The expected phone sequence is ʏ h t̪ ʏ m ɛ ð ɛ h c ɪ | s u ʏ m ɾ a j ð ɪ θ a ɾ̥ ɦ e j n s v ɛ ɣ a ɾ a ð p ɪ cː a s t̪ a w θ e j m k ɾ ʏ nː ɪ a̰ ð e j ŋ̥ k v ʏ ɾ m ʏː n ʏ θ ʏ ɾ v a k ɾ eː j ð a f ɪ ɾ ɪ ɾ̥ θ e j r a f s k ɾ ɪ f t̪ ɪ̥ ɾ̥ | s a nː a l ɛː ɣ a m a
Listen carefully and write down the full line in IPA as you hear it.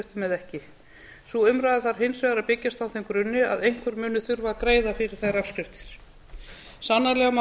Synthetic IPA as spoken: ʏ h t̪ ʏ m ɛ ð ɛ h c ɪ | s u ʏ m ɾ a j ð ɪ θ a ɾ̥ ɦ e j n s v ɛ ɣ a ɾ a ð p ɪ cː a s t̪ a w θ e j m k ɾ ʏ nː ɪ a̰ ð e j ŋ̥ k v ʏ ɾ m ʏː n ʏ θ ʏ ɾ v a k ɾ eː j ð a f ɪ ɾ ɪ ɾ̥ θ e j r a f s k ɾ ɪ f t̪ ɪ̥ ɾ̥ | s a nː a l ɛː ɣ a m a

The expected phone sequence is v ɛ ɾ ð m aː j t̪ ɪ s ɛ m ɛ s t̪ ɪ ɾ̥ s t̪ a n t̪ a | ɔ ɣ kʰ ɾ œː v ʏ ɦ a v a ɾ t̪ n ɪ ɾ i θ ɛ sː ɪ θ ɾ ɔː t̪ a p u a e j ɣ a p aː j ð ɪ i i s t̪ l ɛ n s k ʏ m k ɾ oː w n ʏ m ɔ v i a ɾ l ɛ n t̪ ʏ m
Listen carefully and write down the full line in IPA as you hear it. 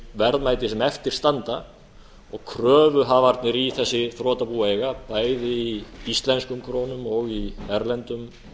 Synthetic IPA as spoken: v ɛ ɾ ð m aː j t̪ ɪ s ɛ m ɛ f t̪ ɪ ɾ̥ s t̪ a n t̪ a | ɔ ɣ kʰ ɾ œː v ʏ ɦ a v a ɾ t̪ n ɪ ɾ i θ ɛ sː ɪ θ ɾ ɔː t̪ a p u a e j ɣ a p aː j ð ɪ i i s t̪ l ɛ n s k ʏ m kʰ ɾ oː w n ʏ m ɔ ɣ i ɛ ɾ l ɛ n t̪ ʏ m

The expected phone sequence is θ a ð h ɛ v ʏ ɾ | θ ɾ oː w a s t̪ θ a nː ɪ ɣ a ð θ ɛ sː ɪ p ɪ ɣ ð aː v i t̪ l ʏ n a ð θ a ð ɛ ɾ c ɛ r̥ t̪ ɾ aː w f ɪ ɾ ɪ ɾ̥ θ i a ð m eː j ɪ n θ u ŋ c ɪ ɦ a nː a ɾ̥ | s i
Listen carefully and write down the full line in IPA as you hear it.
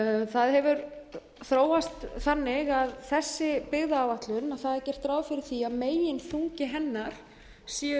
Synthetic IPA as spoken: θ a ð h ɛ v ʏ ɾ | θ ɾ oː w a s t̪ θ a nː ɪ ɣ a ð θ ɛ sː ɪ p ɪ ɣ ð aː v a t̪ l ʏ n a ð θ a ð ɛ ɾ c ɛ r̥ t̪ ɾ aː w f ɪ ɾ ɪ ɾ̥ θ i a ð m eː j ɪ n θ u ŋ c ɪ ɦ ɛ nː a ɾ̥ | s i

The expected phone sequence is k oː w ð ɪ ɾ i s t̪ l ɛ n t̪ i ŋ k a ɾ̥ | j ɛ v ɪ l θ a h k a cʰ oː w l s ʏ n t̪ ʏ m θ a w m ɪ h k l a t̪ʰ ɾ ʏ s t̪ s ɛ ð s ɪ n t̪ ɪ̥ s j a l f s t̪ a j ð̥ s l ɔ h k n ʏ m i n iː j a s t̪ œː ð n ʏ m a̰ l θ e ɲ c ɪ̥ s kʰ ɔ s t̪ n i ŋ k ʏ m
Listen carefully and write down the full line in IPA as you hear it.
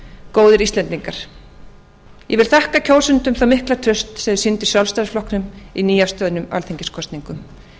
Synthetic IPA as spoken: k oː w ð ɪ ɾ i s t̪ l ɛ n t̪ i ŋ k a ɾ̥ | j ɛ v ɪ l θ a h k a cʰ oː w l s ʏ n t̪ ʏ m θ a w m ɪ h k l a t̪ʰ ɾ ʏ s t̪ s ɛ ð s ɪ n t̪ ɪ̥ s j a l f s t̪ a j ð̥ f l ɔ h k n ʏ m i n iː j a s t̪ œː ð n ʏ m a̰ l θ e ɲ c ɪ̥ s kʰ ɔ s t̪ n i ŋ k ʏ m

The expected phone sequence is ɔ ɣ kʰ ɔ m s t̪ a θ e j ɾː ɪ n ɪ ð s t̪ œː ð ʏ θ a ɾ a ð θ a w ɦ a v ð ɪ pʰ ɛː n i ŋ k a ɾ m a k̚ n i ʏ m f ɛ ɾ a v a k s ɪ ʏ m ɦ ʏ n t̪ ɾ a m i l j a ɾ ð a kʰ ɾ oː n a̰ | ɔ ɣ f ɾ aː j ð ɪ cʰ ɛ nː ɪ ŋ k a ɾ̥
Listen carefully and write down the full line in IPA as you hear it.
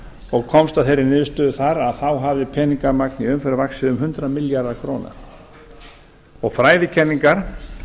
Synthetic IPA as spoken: ɔ ɣ kʰ ɔ m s t̪ a θ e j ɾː ɪ n ɪ ð s t̪ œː ð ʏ θ a ɾ a ð θ a w ɦ a v ð ɪ pʰ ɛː n i ŋ k a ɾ m a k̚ n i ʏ m f ɛ ɾ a v a k s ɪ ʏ m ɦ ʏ n t̪ ɾ a m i l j a ɾ ð a kʰ ɾ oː n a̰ | ɔ ɣ f ɾ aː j ð ɪ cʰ ɛ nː i ŋ k a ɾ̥

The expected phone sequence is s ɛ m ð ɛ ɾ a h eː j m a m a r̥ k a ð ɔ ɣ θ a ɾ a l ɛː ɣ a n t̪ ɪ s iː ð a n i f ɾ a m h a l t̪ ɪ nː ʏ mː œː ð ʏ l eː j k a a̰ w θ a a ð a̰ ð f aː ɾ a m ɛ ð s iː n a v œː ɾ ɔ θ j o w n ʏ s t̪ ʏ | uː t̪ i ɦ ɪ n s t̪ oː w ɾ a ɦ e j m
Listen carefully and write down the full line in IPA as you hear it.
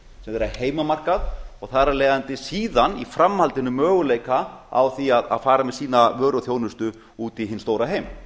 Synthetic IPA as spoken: s ɛ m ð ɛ ɾ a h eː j m a m a r̥ k a ð ɔ ɣ θ a ɾ a l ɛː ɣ a n t̪ ɪ s iː ð a n i f ɾ a m h a l t̪ ɪ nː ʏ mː œː ɣ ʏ l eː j k a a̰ w θ i a ð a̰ ð f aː ɾ a m ɛ ð s iː n a v œː ɾ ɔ θ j o w n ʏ s t̪ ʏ | uː t̪ i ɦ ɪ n s t̪ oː w ɾ a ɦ e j m

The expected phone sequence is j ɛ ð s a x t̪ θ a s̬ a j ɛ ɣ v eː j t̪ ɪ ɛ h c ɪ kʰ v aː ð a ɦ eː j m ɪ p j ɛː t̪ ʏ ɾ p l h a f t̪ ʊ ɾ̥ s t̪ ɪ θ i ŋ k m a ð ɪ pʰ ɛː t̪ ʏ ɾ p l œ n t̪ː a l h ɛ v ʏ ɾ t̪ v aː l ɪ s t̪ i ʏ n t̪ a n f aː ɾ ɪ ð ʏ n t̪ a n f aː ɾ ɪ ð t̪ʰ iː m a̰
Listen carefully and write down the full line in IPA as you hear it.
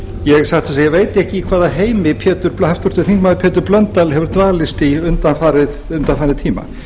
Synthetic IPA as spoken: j ɛ ɣ s a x t̪ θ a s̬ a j ɛ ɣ v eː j t̪ ɪ ɛ h c ɪ kʰ v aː ð a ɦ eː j m ɪ pʰ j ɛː t̪ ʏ ɾ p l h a f t̪ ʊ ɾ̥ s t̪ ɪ θ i ŋ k m a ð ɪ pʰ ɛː t̪ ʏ ɾ p l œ n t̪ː a l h ɛ v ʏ ɾ t̪ v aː l ɪ s t̪ i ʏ n t̪ a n f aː ɾ ɪ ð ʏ n t̪ a n f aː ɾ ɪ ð t̪ʰ iː m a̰

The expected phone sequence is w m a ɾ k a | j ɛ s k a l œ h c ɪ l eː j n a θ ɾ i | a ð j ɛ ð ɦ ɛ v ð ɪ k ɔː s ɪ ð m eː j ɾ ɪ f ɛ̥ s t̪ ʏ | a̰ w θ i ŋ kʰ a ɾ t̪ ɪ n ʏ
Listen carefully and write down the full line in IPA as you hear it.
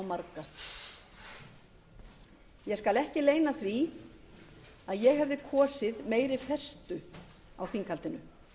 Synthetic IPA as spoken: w m a ɾ k a | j ɛ s k a l ɛ h c ɪ l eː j n a θ ɾ i | a ð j ɛ ɣ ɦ ɛ v ð ɪ kʰ ɔː s ɪ ð m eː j ɾ ɪ f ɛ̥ s t̪ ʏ | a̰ w θ i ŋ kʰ a l t̪ ɪ n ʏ

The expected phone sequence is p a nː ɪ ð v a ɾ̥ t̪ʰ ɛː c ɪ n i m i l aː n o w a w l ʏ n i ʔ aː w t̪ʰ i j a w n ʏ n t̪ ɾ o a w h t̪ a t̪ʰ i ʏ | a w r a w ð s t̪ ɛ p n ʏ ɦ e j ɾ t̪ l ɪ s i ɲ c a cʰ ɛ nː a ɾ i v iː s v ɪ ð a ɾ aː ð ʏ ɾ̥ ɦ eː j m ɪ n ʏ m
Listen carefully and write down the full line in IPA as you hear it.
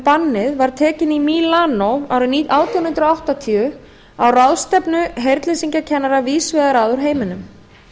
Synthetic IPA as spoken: p a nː ɪ ð v a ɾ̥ t̪ʰ ɛː c ɪ n i m i l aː n o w a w ɾ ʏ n i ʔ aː w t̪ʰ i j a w n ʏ n t̪ ɾ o a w h t̪ a t̪ʰ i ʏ | a w r a w ð s t̪ ɛ p n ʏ ɦ e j ɾ t̪ l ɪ s i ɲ c a cʰ ɛ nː a ɾ a v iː s v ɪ ð a ɾ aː ð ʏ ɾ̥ ɦ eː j m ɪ n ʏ m

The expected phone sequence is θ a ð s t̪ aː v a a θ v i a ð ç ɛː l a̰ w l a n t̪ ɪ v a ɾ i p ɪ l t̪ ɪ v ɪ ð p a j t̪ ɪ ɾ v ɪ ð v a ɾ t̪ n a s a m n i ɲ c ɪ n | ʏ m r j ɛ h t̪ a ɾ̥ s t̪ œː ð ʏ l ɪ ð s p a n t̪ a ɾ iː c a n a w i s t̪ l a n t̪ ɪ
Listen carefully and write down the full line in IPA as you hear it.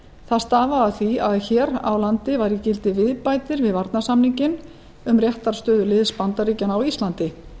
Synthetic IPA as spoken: θ a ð s t̪ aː v a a θ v i a ð ç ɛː ɾ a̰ w l a n t̪ ɪ v a ɾ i c ɪ l t̪ ɪ v ɪ ð p a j t̪ ɪ ɾ v ɪ ð v a ɾ t̪ n a s a m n i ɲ c ɪ n | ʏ m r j ɛ h t̪ a ɾ̥ s t̪ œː ð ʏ l ɪ ð s p a n t̪ a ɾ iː c a n a w i s t̪ l a n t̪ ɪ

